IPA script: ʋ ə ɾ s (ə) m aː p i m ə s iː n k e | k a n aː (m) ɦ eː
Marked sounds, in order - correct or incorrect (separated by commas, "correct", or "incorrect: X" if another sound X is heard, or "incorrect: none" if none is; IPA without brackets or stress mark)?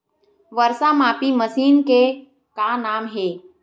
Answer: incorrect: a, correct